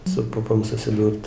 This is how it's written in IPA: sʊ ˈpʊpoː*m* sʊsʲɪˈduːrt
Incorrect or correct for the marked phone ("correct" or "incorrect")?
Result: correct